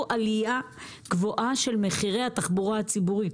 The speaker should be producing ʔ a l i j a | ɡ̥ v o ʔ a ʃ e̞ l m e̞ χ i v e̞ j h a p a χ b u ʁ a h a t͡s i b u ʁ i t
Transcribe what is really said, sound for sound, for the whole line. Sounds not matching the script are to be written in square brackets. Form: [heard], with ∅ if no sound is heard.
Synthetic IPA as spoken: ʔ a l i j a | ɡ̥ v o ʔ a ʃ e̞ l m e̞ χ i [ʁ] e̞ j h a [t] a χ b u ʁ a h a t͡s i b u ʁ i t